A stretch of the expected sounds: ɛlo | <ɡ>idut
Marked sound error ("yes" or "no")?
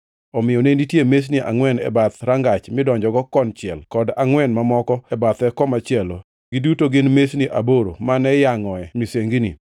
no